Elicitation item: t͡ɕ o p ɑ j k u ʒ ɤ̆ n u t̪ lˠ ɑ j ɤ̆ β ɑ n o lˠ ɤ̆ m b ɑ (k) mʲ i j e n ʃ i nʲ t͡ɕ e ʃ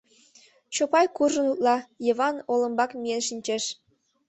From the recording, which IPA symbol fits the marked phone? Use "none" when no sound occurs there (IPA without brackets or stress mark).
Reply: k